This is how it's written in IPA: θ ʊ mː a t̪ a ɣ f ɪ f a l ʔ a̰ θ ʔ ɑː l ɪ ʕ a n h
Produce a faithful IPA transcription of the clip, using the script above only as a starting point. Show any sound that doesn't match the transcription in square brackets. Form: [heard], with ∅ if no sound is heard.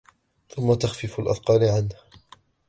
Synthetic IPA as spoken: θ ʊ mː a t̪ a [x] f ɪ f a l ʔ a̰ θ [q] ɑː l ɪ ʕ a n h